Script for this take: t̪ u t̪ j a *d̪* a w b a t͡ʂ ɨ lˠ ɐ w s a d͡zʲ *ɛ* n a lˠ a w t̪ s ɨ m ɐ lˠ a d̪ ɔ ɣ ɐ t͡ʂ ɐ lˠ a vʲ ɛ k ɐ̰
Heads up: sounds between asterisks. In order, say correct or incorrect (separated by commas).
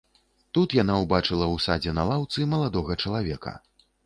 incorrect, correct